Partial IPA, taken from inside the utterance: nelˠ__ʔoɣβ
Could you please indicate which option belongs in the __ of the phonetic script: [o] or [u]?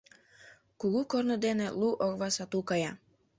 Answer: u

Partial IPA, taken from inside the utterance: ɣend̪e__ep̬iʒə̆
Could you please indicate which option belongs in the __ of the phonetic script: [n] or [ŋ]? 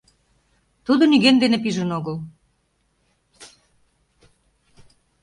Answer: n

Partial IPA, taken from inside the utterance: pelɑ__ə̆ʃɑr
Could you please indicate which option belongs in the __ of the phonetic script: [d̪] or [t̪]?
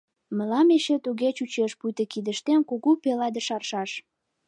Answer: d̪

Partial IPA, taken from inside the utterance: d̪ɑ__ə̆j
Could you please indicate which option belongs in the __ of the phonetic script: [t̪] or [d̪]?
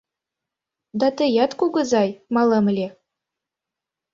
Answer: t̪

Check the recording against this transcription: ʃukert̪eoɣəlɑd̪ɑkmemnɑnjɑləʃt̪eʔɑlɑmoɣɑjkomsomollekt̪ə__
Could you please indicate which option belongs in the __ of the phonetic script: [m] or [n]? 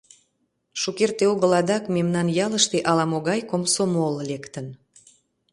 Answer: n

